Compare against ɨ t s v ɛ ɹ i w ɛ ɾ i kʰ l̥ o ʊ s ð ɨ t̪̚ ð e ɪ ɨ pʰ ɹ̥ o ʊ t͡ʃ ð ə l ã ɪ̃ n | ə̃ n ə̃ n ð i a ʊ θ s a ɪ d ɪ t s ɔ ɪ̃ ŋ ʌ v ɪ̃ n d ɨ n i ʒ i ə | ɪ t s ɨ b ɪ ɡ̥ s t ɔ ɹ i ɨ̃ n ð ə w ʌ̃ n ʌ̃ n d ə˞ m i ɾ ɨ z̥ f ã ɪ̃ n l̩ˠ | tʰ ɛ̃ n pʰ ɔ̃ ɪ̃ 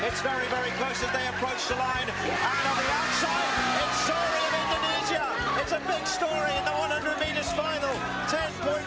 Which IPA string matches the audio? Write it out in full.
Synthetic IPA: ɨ t s v ɛ ɹ i v ɛ ɹ i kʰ l̥ o ʊ s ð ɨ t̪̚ ð e ɪ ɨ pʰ ɹ̥ o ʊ t͡ʃ ð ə l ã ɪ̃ n | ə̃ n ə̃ n ð i a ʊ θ s a ɪ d ɪ t s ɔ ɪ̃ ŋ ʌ v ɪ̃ n d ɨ n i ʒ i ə | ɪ t s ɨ b ɪ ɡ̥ s t ɔ ɹ i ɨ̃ n ð ə w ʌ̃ n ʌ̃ n d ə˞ m i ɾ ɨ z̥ f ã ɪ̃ n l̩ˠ | tʰ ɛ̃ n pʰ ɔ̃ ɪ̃